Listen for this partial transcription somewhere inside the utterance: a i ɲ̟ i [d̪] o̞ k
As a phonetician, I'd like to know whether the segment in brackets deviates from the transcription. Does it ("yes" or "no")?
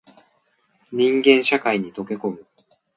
yes